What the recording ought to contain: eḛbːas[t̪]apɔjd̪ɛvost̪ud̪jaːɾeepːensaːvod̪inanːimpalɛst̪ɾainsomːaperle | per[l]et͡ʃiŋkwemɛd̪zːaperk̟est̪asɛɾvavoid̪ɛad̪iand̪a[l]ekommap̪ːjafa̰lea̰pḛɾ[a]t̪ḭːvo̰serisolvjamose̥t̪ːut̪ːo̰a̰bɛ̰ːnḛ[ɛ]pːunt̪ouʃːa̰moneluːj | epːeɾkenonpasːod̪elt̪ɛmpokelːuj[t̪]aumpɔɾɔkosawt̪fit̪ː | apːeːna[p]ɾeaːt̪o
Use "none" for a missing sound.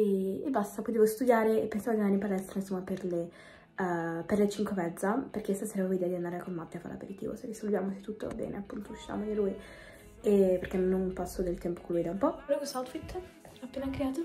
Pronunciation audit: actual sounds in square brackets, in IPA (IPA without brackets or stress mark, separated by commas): t̪, l, ɾ, i, a, d̪, k